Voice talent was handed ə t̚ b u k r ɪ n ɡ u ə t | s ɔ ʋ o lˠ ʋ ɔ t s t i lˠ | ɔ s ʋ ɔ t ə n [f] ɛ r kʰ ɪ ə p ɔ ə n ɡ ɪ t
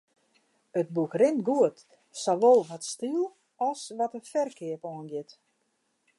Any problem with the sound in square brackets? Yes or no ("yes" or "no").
no